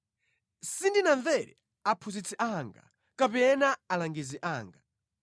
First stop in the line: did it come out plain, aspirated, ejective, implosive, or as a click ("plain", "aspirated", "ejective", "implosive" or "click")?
plain